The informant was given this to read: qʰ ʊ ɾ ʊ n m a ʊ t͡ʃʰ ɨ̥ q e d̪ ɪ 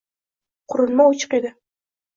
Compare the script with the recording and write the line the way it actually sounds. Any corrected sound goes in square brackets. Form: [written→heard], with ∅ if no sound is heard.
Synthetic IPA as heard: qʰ ʊ ɾ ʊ n m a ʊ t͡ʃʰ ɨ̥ q e d̪ ɪ